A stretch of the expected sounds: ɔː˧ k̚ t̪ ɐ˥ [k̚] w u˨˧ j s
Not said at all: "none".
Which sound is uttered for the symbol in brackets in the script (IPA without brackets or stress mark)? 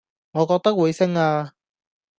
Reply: k̚